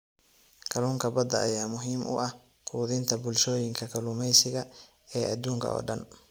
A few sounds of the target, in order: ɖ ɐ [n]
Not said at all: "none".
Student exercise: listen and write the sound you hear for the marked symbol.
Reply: n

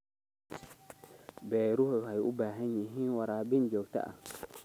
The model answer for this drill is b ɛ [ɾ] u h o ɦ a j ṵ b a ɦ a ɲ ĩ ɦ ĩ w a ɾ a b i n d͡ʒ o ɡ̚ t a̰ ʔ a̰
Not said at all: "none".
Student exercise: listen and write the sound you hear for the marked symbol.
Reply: ɾ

